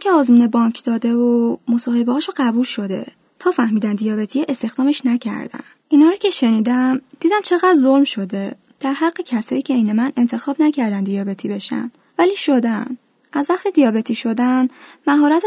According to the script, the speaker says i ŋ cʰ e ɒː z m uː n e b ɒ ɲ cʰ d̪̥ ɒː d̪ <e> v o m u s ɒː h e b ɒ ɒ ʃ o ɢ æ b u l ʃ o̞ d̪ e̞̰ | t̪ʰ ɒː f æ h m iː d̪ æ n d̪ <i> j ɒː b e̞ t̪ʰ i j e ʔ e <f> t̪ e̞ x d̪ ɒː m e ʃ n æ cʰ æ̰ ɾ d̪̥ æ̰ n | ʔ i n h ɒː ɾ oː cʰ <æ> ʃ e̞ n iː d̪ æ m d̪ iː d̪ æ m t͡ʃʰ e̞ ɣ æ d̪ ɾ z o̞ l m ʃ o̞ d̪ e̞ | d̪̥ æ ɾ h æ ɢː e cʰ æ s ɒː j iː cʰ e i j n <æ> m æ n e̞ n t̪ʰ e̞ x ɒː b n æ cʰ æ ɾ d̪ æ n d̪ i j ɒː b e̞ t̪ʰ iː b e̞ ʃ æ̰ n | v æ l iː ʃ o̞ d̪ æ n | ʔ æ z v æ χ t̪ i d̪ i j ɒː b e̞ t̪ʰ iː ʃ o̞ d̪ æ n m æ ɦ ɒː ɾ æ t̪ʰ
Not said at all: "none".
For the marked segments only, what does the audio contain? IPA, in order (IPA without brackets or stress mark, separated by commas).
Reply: e, i, s, e, e